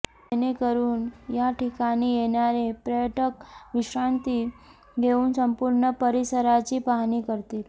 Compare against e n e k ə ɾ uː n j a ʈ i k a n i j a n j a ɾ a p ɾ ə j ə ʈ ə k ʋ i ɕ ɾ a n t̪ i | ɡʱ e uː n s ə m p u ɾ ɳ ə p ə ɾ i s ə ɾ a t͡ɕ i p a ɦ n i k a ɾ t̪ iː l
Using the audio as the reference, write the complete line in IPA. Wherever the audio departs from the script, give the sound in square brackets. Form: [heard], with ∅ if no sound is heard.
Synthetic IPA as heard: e n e k ə ɾ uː n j a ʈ i k a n i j [e] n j a ɾ [e] p ɾ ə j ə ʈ ə k ʋ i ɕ ɾ a n t̪ i | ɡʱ e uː n s ə m p u ɾ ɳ ə p ə ɾ i s ə ɾ a t͡ɕ i p a ɦ n i k [ə] ɾ t̪ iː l

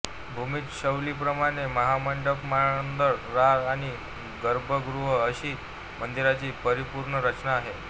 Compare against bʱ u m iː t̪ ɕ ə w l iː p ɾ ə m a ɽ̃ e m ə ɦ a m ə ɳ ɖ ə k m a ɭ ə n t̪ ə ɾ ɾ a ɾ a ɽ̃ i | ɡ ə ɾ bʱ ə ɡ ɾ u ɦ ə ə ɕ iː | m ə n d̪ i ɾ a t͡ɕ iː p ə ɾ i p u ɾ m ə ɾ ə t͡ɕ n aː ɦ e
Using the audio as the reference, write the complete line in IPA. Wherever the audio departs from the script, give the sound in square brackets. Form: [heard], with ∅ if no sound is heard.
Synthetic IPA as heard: bʱ u m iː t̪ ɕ ə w l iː p ɾ ə m a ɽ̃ e m ə ɦ a m ə ɳ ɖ ə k m a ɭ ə n [d̪] ə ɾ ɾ a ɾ a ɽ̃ i | ɡ ə ɾ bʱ ə ɡ ɾ u ɦ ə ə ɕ iː | m ə n d̪ i ɾ a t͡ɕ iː p ə ɾ i p u ɾ [ɳ] ə ɾ ə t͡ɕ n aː ɦ e

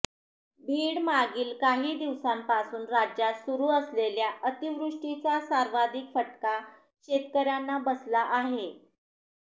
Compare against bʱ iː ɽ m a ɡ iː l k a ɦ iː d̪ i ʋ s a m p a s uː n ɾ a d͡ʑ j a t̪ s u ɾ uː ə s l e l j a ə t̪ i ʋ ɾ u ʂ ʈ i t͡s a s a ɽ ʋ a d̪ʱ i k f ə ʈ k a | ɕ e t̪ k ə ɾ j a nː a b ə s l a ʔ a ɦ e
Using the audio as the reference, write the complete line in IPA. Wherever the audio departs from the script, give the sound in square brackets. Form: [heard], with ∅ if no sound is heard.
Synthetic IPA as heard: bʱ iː ɽ m a ɡ iː l k a ɦ iː d̪ i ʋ s a m p a s uː n ɾ a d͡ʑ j a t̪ s u ɾ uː ə s l e l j a ə t̪ i ʋ ɾ u ʂ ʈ i t͡s a s a [ɾ] ʋ a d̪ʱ i k f ə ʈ k a | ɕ e t̪ k ə ɾ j a nː a b ə s l a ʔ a ɦ e

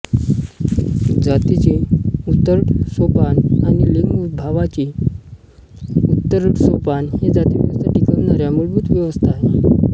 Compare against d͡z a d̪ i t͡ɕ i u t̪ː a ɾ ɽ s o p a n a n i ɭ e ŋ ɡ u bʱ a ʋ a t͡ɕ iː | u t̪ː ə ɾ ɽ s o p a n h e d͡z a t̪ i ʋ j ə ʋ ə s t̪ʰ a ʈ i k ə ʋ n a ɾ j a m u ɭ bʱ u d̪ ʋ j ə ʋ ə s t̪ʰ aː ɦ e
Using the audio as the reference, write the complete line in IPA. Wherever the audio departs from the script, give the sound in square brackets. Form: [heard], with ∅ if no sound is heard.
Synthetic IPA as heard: d͡z a [t̪] i t͡ɕ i u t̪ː [ə] ɾ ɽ s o p a n a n i [l] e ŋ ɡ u bʱ a ʋ a t͡ɕ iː | u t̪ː ə ɾ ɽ s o p a n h e d͡z a t̪ i ʋ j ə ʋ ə s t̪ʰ a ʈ i k ə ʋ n a ɾ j a m u ɭ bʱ u [t̪] ʋ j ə ʋ ə s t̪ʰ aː ɦ e

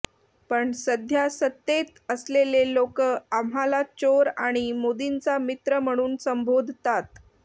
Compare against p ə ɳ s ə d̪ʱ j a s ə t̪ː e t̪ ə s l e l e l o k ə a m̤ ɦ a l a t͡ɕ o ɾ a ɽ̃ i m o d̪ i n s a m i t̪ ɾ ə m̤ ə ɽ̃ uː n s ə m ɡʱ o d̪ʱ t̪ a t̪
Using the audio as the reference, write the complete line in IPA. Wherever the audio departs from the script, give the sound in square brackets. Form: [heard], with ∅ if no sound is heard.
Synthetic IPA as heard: p ə ɳ s ə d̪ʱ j a s ə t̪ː e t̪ ə s l e l e l o k ə a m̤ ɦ a l a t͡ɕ o ɾ a ɽ̃ i m o d̪ i n [t͡s] a m i t̪ ɾ ə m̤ ə ɽ̃ uː n s ə m [bʱ] o d̪ʱ t̪ a t̪

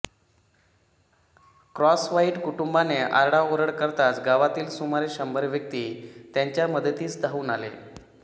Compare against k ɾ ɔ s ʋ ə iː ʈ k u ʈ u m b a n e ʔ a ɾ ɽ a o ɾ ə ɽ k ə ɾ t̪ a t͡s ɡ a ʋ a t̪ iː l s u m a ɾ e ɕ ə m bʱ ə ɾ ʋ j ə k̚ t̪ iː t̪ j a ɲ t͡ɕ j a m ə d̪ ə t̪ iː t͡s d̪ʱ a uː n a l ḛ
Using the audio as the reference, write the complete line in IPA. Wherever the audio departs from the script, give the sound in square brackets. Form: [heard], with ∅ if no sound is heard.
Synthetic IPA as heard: k ɾ ɔ s ʋ [a] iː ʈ k u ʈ u m b a n e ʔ a ɾ ɽ a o ɾ ə ɽ k ə ɾ t̪ a t͡s ɡ a ʋ a t̪ iː l s u m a ɾ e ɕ ə m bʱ ə ɾ ʋ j ə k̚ t̪ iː t̪ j a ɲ t͡ɕ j a m ə d̪ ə t̪ iː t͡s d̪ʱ a uː n a l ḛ

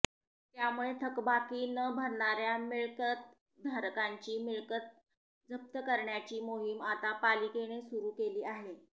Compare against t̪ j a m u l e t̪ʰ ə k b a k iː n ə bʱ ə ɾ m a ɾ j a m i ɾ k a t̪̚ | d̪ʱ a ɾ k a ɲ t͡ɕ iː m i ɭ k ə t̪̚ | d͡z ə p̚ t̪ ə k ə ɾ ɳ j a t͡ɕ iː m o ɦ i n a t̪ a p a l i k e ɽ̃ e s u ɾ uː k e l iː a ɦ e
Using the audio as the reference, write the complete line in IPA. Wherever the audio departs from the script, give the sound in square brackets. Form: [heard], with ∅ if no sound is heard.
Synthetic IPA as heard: t̪ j a m u [ɭ] e t̪ʰ ə k b a k iː n ə bʱ ə ɾ [ɳ] a ɾ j a m i [ɭ] k [ə] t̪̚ | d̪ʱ a ɾ k a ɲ t͡ɕ iː m i ɭ k ə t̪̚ | d͡z ə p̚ t̪ ə k ə ɾ ɳ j a t͡ɕ iː m o ɦ i [m] a t̪ a p a l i k e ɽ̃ e s u ɾ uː k e l iː a ɦ e

